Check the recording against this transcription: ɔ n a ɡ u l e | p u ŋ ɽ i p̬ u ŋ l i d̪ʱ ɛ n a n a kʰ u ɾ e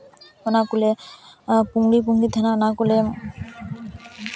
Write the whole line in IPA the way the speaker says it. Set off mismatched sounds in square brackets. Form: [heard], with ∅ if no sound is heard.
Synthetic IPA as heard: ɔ n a [k] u l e | p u ŋ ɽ i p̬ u ŋ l i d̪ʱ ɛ n a n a [k] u [l] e